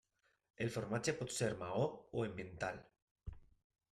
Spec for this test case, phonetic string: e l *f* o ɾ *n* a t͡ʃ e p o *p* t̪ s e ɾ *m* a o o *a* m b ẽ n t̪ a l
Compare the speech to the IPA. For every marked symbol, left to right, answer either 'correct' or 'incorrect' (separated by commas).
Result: correct, incorrect, incorrect, correct, incorrect